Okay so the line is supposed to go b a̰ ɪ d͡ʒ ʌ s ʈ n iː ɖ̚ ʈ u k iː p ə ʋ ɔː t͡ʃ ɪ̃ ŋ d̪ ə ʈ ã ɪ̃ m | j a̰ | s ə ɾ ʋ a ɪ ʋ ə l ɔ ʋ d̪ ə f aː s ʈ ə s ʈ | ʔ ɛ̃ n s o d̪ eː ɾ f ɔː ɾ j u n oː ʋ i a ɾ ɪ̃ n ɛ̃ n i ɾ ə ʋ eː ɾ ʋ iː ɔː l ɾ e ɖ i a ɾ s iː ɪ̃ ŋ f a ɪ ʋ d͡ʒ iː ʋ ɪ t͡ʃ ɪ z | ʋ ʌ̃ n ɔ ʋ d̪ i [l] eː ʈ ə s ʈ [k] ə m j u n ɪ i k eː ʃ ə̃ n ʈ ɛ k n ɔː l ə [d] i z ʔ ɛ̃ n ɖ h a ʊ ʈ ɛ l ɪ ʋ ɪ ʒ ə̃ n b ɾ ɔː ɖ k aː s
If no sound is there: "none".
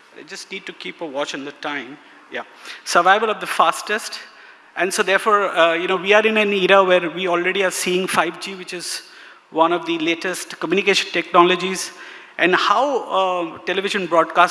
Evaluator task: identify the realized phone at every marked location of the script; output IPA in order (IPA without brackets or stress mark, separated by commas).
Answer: l, k, d͡ʒ